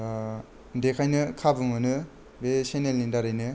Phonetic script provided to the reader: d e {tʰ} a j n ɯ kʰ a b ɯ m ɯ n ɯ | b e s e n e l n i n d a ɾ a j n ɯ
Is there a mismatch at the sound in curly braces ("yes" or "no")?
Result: yes